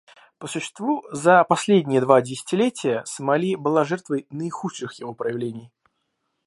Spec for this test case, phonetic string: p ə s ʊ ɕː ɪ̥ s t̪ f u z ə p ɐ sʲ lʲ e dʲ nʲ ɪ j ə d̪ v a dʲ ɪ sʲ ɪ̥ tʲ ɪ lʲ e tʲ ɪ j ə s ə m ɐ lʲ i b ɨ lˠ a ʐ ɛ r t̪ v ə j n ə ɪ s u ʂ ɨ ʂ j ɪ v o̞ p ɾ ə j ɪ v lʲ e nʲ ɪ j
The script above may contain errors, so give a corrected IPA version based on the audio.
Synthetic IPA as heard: p ə s ʊ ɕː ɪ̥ s t̪ v u z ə p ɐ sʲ lʲ e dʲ nʲ ɪ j ə d̪ v a dʲ ɪ sʲ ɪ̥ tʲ ɪ lʲ e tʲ ɪ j ə s ə m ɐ lʲ i b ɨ lˠ a ʐ ɛ r t̪ v ə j n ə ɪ x u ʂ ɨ x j ɪ v o̞ p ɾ ə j ɪ v lʲ e nʲ ɪ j

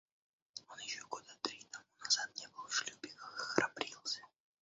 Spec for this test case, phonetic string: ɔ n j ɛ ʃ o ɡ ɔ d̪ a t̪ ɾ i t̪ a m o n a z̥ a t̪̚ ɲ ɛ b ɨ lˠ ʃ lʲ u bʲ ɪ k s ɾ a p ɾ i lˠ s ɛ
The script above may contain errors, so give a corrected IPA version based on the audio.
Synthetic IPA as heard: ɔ n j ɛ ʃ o ɡ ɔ d̪ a t̪ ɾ i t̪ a m u n a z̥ a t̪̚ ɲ ɛ b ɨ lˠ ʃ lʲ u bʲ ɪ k x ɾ a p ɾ i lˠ s ɛ

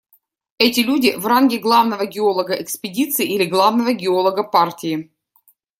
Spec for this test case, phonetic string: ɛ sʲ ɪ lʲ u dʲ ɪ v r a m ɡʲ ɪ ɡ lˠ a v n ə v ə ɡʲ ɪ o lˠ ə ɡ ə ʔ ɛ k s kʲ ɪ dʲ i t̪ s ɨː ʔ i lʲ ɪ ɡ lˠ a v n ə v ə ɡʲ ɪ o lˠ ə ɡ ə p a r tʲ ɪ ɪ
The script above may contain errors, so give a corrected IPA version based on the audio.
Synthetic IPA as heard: ɛ tʲ ɪ lʲ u dʲ ɪ v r a n ɡʲ ɪ ɡ lˠ a v n ə v ə ɡʲ ɪ o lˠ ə ɡ ə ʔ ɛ k s pʲ ɪ dʲ i t̪ s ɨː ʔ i lʲ ɪ ɡ lˠ a v n ə v ə ɡʲ ɪ o lˠ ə ɡ ə p a r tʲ ɪ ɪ

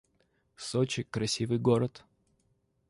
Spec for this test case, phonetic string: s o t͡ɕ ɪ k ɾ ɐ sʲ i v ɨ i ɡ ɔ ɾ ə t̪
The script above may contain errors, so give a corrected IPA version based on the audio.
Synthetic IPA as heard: s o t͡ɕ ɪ k ɾ ɐ sʲ i v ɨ j ɡ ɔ ɾ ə t̪

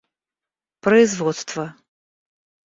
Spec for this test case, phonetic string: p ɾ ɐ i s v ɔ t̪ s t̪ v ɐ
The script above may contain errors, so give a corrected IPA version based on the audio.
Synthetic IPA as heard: p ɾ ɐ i z v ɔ t̪ s t̪ v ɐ

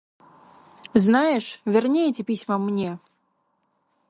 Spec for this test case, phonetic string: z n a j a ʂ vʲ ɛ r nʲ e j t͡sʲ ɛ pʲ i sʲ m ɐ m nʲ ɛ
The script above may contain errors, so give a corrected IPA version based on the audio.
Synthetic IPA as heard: z n a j ɛ ʂ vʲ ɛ r nʲ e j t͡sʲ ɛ pʲ i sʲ m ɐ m nʲ ɛ

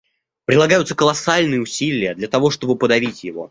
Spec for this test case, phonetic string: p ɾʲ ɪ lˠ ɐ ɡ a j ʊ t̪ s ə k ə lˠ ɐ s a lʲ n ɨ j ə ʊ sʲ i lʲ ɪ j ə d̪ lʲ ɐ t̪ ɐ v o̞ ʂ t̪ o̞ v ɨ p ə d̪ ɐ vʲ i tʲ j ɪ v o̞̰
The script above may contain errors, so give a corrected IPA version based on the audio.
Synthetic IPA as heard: p ɾʲ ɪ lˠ ɐ ɡ a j ʊ t̪ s ə k ə lˠ ɐ s a lʲ n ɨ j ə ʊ sʲ i lʲ ɪ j ə d̪ lʲ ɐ t̪ ɐ v o̞ ʂ t̪ o̞ b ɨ p ə d̪ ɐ vʲ i tʲ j ɪ v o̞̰

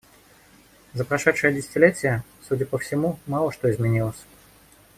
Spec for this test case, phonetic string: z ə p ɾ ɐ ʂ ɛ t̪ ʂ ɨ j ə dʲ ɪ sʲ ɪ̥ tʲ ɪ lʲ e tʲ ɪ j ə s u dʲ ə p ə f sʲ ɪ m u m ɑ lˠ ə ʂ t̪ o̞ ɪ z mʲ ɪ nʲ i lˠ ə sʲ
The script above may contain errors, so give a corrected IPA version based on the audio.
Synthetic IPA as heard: z ə p ɾ ɐ ʂ ɛ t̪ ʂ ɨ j ə dʲ ɪ sʲ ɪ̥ tʲ ɪ lʲ e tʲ ɪ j ə s u dʲ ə p ə f sʲ ɪ m u m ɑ lˠ ə ʂ t̪ o̞ ɪ z mʲ ɪ nʲ i lˠ ə sʲ

